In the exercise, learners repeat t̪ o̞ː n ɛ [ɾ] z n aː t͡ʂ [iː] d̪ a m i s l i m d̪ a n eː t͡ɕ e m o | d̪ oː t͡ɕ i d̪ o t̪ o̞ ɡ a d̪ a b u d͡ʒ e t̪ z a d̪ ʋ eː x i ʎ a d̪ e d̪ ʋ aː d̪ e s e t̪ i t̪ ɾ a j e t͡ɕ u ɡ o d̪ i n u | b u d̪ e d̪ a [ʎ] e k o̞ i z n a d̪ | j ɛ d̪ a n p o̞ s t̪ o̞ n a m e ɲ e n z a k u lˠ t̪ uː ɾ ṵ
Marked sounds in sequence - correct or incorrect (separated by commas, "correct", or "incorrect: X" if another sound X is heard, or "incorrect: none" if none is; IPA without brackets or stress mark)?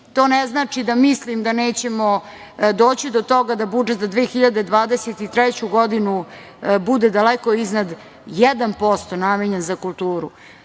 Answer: incorrect: none, incorrect: i, incorrect: l